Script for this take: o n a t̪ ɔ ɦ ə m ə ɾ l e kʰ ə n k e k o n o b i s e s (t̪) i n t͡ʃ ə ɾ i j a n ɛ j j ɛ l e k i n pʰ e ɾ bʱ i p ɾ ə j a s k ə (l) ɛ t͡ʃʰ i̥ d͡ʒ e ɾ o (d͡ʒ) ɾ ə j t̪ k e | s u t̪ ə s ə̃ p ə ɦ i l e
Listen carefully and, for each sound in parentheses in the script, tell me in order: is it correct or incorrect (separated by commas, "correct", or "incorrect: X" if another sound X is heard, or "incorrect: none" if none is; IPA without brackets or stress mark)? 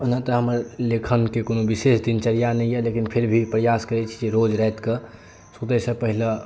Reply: incorrect: d̪, incorrect: ɾ, correct